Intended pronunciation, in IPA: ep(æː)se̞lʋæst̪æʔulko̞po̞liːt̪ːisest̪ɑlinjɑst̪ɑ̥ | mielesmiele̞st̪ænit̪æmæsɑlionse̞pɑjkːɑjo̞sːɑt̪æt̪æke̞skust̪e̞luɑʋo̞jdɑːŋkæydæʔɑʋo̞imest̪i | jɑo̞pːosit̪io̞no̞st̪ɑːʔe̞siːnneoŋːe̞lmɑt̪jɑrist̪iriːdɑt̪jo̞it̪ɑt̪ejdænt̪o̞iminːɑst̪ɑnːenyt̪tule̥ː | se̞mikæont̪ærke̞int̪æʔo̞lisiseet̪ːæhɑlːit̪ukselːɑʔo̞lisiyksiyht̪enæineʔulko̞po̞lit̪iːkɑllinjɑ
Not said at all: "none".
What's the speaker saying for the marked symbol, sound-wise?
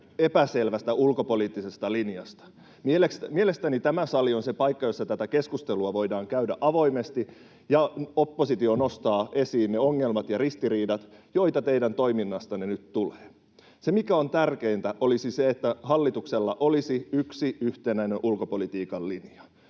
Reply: æ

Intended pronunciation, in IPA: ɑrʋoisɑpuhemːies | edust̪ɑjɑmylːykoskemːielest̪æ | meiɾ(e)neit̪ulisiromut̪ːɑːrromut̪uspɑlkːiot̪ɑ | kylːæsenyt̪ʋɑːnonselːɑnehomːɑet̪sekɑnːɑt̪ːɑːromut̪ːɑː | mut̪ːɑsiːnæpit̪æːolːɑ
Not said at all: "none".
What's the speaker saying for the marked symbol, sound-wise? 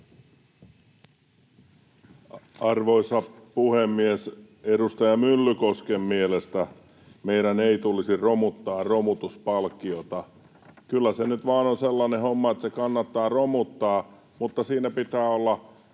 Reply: æ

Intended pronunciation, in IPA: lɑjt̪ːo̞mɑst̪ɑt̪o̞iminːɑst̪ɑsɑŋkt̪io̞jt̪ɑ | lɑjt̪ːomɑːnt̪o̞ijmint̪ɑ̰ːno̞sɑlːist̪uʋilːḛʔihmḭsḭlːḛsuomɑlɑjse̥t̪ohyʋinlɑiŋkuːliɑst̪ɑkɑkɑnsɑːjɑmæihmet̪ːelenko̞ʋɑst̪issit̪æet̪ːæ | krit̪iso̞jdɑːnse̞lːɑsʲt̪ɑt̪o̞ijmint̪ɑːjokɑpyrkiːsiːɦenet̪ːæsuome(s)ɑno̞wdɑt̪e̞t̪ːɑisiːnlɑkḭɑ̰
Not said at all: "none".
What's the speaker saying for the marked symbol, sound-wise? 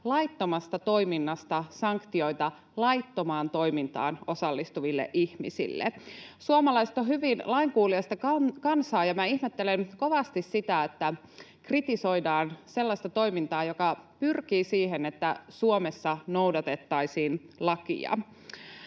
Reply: sː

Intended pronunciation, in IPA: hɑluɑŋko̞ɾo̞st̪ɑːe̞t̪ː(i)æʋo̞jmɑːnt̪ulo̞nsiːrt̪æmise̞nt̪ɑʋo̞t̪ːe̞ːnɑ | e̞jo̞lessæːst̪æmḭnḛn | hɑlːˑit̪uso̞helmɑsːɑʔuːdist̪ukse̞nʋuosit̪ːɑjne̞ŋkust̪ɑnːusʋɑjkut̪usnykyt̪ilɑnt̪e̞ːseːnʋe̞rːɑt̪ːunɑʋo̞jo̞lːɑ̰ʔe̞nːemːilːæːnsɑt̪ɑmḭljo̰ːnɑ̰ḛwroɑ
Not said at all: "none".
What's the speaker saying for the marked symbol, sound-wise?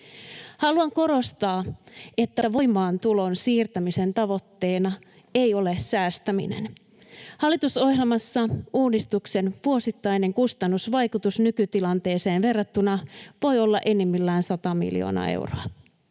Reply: æ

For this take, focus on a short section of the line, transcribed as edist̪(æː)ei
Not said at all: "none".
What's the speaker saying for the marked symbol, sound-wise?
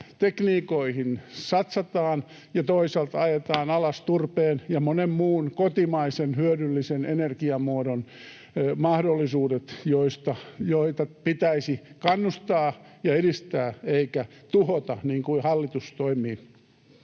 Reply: æː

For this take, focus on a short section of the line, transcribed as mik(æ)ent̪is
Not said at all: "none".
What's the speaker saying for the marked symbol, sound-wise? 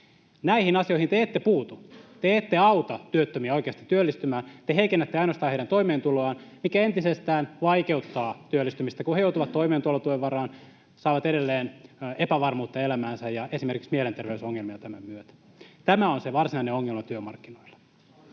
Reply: æ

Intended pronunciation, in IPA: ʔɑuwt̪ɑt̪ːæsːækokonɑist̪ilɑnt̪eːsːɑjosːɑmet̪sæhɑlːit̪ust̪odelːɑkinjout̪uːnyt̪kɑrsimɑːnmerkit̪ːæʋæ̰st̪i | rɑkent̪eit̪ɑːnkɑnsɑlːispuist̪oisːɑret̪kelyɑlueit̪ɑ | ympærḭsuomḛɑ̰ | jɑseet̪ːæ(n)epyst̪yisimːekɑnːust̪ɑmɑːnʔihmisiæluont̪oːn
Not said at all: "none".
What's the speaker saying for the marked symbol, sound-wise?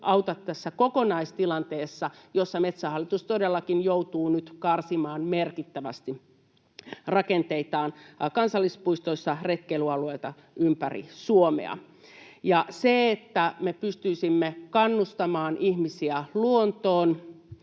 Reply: m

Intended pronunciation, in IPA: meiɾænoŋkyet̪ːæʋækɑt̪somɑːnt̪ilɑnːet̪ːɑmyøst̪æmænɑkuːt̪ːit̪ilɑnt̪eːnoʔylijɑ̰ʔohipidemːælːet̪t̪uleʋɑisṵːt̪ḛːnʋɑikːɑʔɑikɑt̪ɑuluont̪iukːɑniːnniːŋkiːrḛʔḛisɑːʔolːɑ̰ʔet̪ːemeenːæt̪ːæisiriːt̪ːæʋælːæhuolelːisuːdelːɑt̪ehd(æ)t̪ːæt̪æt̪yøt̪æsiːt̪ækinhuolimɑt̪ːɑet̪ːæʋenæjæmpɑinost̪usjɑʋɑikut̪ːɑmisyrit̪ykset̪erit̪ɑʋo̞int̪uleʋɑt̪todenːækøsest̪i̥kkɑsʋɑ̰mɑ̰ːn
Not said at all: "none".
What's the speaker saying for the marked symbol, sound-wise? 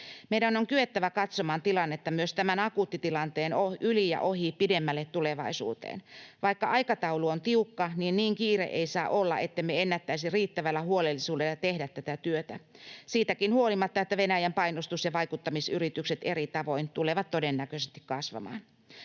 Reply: æ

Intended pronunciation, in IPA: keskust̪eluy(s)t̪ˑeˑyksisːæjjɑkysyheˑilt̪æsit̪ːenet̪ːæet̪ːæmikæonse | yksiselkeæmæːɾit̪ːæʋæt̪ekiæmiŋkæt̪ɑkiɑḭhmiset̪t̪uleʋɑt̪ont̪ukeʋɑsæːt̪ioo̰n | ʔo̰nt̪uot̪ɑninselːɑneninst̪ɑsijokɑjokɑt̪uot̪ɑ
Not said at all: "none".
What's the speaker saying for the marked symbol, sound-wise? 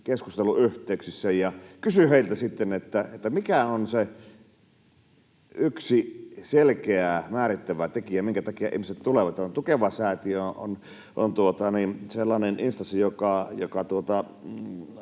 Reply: h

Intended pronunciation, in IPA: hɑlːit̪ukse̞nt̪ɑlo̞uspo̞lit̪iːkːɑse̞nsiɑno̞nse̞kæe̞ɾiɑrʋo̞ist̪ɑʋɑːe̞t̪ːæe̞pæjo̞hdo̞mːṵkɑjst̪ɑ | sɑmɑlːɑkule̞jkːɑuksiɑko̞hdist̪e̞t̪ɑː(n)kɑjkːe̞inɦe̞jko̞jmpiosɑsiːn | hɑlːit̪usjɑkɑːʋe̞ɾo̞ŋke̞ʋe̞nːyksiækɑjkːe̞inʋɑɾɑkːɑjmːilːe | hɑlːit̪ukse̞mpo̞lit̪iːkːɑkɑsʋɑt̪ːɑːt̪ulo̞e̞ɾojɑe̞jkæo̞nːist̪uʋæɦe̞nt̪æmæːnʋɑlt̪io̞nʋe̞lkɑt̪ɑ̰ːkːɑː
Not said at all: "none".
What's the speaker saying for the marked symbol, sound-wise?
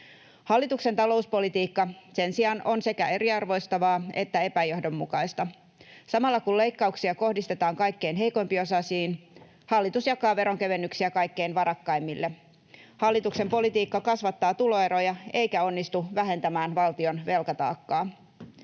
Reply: ŋ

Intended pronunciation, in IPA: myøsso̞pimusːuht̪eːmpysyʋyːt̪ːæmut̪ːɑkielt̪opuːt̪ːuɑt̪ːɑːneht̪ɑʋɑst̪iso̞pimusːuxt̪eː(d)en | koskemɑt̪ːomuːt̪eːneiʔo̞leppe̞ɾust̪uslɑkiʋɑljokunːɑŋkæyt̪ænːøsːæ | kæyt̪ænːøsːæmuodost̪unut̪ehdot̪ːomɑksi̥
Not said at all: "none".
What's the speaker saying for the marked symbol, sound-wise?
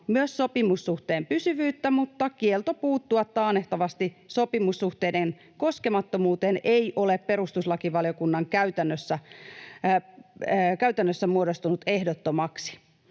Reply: d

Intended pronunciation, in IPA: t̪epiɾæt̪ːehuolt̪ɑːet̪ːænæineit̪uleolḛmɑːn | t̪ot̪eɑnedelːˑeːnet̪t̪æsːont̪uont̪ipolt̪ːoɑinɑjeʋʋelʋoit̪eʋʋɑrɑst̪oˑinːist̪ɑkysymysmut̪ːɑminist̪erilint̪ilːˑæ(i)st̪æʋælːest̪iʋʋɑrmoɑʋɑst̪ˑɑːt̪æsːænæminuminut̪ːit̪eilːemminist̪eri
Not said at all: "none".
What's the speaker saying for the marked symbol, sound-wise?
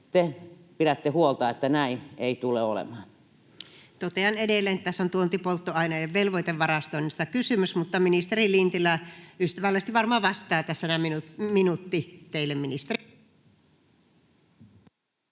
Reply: y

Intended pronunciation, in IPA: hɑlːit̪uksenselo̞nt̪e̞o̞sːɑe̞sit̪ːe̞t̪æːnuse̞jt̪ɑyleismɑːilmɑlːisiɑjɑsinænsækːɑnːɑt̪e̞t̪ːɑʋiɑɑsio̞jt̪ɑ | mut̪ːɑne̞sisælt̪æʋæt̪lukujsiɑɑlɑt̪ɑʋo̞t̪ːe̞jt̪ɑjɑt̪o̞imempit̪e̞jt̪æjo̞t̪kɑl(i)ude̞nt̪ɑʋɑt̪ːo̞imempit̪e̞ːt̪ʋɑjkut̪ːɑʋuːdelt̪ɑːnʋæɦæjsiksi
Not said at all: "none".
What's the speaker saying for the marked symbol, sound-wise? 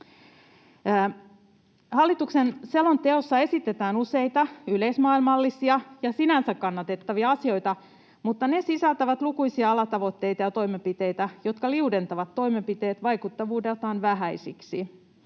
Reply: i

